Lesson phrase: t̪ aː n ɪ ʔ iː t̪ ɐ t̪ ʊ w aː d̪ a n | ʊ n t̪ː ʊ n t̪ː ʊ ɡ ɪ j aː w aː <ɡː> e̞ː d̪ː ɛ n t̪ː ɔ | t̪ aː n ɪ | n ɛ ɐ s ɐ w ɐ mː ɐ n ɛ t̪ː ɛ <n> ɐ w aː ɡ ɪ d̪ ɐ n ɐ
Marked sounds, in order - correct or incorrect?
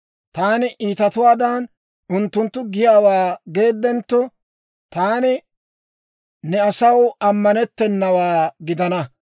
incorrect: ɡ, incorrect: nː

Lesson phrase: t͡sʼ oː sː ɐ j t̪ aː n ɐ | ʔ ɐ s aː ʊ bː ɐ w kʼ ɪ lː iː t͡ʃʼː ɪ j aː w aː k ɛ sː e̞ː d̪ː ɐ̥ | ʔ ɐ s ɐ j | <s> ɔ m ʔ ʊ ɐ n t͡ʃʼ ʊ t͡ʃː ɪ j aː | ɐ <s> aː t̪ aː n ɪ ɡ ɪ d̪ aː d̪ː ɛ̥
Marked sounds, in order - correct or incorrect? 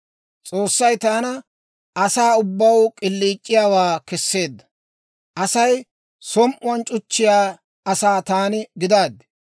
correct, correct

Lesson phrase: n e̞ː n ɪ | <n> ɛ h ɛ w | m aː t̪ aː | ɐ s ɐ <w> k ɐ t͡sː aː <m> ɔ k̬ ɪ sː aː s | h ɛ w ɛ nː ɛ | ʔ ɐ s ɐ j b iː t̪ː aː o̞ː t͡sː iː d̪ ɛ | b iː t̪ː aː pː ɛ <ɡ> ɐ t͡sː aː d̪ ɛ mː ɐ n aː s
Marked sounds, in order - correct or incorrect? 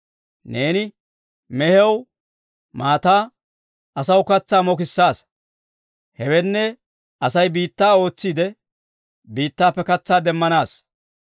incorrect: m, correct, correct, incorrect: k

